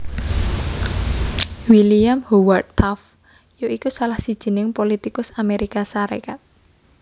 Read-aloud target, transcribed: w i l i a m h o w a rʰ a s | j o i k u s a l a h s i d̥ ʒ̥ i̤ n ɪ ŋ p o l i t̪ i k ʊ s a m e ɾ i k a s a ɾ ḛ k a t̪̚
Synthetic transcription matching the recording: w i l i a m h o w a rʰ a f | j o i k u s a l a h s i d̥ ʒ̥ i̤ n ɪ ŋ p o l i t̪ i k ʊ s a m e ɾ i k a s a ɾ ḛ k a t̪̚